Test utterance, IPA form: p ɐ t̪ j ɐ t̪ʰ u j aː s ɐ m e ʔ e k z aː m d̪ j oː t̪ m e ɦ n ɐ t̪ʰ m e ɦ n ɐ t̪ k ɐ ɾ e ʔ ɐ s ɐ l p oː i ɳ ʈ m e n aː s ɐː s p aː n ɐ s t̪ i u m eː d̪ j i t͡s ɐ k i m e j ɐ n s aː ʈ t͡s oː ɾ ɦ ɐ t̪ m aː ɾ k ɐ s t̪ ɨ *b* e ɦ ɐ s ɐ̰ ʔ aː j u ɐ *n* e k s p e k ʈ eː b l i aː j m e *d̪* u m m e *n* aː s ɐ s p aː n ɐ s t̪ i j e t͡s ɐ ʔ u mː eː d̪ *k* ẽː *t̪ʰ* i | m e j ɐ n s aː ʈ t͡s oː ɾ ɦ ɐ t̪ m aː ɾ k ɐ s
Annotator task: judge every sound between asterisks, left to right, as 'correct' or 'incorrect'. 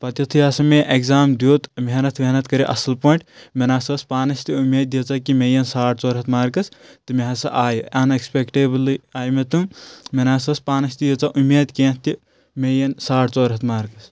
incorrect, correct, incorrect, correct, correct, incorrect

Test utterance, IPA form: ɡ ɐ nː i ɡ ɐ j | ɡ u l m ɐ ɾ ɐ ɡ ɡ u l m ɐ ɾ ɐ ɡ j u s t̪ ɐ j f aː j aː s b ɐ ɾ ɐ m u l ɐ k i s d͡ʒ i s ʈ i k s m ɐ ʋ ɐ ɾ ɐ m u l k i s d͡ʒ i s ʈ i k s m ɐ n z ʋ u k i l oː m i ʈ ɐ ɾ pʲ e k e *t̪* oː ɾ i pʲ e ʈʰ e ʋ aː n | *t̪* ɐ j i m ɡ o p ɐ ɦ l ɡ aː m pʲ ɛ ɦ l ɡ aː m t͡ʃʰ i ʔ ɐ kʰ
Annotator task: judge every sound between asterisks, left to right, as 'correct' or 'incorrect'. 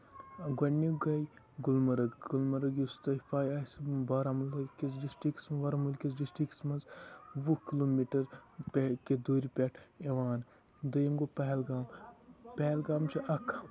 incorrect, incorrect

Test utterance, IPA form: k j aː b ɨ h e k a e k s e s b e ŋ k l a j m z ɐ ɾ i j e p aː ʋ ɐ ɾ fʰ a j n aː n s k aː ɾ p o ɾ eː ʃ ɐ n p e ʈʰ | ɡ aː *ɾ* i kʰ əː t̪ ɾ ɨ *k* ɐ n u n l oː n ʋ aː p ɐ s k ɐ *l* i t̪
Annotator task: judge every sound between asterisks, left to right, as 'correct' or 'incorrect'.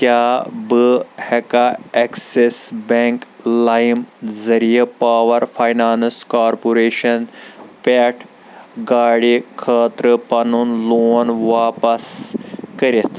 incorrect, incorrect, incorrect

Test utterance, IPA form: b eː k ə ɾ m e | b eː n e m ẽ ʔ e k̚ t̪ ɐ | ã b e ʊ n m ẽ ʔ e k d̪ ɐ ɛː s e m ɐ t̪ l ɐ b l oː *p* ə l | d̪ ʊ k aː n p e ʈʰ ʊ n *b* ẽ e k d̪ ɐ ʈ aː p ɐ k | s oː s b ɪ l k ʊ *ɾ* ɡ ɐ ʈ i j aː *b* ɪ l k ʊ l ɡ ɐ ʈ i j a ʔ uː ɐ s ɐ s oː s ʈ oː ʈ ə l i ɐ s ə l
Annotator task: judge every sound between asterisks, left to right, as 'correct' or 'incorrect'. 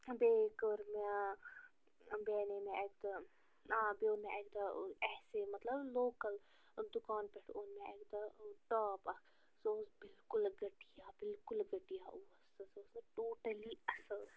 incorrect, incorrect, incorrect, correct

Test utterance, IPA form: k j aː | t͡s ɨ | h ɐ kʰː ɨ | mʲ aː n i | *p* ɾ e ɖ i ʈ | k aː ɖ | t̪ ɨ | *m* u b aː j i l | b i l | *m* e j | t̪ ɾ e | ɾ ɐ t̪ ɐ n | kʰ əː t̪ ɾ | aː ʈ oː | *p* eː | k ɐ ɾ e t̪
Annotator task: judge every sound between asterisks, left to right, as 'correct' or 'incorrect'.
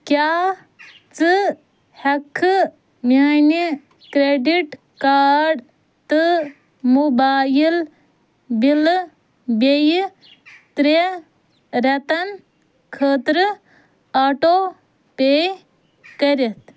incorrect, correct, incorrect, correct

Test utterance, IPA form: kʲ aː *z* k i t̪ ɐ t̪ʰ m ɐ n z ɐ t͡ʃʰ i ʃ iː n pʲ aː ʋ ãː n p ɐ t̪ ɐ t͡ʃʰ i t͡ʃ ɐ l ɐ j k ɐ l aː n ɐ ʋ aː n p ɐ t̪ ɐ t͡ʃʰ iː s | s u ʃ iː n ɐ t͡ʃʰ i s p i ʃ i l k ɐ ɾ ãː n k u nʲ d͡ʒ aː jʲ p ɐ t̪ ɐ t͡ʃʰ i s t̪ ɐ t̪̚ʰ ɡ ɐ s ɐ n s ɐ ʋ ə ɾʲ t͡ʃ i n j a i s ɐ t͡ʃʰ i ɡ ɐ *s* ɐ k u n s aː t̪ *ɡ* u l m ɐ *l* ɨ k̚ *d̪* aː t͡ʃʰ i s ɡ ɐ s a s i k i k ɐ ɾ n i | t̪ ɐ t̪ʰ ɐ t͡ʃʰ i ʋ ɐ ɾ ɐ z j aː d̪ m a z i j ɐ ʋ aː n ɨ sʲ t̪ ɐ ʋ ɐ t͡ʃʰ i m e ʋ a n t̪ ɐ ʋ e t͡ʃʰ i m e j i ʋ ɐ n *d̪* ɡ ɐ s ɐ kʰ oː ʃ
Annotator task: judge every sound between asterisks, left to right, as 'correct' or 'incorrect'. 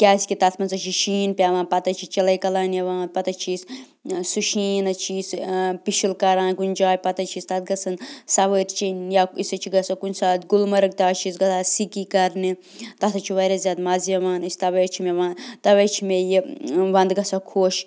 incorrect, correct, correct, incorrect, incorrect, correct

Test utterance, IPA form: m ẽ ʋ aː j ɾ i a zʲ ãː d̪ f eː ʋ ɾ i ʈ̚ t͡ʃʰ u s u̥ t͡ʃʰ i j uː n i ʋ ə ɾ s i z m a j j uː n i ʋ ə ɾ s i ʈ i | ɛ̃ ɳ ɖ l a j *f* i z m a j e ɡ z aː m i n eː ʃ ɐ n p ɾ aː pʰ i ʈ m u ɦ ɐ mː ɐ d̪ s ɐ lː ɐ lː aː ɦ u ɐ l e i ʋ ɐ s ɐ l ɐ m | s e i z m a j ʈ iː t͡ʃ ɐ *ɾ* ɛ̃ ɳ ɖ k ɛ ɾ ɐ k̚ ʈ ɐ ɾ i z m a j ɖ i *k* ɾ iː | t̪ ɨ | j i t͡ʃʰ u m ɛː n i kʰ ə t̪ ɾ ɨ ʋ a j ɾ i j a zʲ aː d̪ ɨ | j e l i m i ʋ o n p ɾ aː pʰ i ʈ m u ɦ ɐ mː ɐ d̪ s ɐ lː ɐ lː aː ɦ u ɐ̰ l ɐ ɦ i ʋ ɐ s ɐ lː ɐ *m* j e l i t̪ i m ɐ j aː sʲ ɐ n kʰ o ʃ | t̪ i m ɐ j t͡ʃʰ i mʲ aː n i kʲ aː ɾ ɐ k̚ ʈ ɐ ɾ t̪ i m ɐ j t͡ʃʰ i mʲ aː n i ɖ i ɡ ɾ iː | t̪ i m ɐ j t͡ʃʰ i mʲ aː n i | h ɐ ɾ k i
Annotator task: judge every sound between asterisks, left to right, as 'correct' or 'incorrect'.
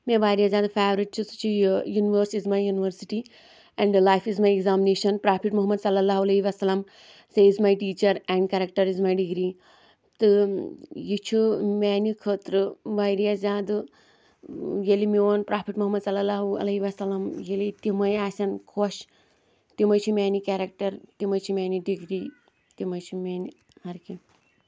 correct, correct, incorrect, correct

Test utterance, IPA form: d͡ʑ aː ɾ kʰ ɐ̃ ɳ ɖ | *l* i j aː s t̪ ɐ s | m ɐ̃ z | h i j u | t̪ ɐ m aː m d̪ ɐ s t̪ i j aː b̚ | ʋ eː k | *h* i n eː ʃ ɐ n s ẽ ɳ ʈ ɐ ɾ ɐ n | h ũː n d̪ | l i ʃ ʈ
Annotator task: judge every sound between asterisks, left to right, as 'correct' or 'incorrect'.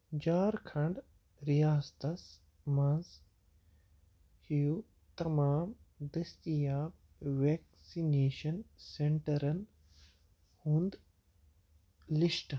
incorrect, incorrect

